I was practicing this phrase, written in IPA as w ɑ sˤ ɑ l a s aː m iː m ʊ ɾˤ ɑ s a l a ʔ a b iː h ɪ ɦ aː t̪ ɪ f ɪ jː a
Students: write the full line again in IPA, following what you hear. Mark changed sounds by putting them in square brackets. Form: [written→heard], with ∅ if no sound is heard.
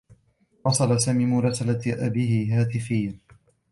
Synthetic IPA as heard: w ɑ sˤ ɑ l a s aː m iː m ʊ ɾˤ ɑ s a l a ʔ a b iː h ɪ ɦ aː t̪ ɪ f ɪ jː a